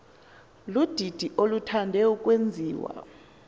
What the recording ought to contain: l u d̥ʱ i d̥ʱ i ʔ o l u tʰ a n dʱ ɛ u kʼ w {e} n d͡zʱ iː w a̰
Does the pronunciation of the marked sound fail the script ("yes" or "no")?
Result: no